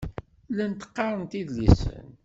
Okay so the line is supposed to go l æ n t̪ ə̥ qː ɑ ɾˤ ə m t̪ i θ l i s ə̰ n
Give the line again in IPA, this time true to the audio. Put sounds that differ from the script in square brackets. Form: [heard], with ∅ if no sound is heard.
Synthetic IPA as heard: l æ n t̪ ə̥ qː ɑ ɾˤ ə [n] t̪ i [ð] l i s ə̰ n